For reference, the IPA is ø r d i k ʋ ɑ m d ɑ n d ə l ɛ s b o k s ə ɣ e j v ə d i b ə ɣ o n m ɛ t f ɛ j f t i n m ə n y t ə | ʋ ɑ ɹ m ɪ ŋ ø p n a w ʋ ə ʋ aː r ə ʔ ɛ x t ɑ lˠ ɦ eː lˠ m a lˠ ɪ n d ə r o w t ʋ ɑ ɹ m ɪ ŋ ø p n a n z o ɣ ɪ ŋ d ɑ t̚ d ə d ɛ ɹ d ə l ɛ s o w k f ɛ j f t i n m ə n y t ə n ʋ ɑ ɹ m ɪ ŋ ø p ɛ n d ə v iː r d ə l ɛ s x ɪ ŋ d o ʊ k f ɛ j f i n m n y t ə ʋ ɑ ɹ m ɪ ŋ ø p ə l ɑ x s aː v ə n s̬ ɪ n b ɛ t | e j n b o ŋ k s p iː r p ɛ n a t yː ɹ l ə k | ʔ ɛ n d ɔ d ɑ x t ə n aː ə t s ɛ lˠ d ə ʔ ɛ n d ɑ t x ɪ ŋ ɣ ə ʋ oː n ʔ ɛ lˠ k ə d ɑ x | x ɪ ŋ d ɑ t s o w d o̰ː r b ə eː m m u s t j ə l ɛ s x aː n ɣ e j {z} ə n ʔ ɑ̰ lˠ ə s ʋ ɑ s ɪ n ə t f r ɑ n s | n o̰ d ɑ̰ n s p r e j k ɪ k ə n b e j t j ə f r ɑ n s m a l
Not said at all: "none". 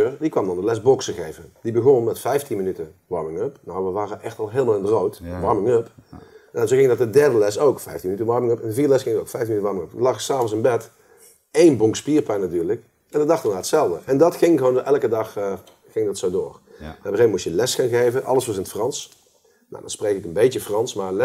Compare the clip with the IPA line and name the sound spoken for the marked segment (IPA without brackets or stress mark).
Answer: v